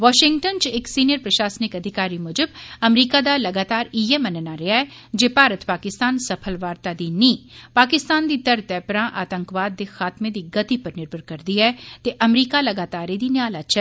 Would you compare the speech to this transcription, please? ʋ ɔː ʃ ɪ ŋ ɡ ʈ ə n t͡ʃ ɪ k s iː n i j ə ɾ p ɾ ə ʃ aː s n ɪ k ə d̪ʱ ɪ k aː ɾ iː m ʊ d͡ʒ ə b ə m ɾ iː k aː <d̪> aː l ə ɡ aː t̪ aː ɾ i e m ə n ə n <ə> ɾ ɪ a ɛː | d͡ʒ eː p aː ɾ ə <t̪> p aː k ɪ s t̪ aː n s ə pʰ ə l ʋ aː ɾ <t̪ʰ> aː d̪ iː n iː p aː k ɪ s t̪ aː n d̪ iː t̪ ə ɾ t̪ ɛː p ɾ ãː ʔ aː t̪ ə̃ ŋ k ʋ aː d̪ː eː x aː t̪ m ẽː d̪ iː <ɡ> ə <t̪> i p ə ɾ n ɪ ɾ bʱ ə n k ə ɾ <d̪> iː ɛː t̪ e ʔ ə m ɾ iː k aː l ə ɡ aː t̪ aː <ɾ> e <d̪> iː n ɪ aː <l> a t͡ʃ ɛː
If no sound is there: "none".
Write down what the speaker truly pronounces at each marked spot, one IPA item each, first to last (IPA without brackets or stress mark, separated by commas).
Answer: d̪, a, t̪, t̪, ɡ, t̪, d̪, ɾ, d̪, l